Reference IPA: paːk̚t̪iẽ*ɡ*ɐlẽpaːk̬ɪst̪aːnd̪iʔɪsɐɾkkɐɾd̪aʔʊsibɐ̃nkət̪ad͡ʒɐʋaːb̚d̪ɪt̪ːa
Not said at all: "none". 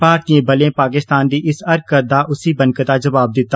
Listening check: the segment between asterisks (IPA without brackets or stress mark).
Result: b